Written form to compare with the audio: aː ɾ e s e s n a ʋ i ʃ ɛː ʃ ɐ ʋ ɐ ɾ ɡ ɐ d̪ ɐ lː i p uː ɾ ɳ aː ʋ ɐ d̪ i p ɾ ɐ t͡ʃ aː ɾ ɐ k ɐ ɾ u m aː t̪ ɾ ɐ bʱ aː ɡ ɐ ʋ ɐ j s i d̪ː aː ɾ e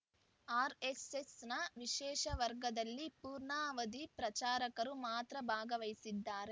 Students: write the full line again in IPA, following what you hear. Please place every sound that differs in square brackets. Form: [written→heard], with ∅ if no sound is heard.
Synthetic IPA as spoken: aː ɾ e s e s n [a→ɐ] ʋ i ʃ ɛː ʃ ɐ ʋ ɐ ɾ ɡ ɐ d̪ ɐ lː i p uː ɾ ɳ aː ʋ ɐ d̪ i p ɾ ɐ t͡ʃ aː ɾ ɐ k ɐ ɾ u m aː t̪ ɾ ɐ bʱ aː ɡ ɐ ʋ ɐ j s i d̪ː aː ɾ e